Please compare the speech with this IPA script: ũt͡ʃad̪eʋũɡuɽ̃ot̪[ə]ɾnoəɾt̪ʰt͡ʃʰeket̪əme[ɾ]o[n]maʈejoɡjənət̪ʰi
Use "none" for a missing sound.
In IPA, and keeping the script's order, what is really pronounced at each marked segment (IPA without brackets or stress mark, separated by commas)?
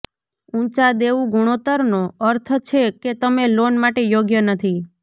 ə, l, n